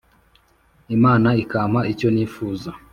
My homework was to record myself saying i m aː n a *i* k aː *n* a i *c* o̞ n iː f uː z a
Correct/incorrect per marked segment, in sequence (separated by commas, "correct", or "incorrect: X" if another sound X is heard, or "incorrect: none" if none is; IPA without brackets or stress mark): correct, incorrect: m, correct